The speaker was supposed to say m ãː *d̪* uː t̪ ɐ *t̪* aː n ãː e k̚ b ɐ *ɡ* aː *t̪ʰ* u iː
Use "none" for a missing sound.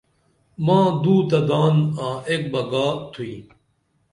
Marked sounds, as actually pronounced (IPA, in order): d̪, d̪, ɡ, t̪ʰ

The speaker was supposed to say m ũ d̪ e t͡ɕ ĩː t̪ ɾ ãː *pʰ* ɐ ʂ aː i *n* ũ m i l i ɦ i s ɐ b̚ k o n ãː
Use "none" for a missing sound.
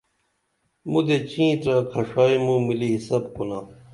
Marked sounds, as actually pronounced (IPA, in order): kʰ, m

